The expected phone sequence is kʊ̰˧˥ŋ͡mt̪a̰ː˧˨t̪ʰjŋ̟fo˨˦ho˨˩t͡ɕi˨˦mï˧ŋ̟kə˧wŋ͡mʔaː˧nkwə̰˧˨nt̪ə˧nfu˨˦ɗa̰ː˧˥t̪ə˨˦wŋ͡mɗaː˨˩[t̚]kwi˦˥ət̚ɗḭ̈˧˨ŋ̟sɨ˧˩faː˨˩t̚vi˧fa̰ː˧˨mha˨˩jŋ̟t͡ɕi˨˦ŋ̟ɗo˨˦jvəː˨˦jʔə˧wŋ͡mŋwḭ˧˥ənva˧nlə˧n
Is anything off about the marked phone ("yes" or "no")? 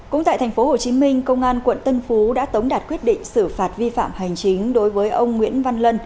no